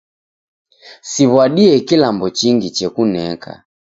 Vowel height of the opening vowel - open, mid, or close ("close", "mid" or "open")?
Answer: close